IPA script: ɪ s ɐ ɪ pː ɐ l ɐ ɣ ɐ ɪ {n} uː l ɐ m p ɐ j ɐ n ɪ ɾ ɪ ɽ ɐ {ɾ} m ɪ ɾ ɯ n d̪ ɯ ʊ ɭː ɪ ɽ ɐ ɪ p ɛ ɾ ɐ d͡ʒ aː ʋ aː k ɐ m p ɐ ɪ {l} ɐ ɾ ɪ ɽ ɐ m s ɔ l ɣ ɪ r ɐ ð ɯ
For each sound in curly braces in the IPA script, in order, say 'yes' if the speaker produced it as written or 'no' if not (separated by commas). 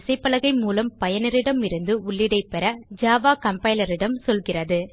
no, no, yes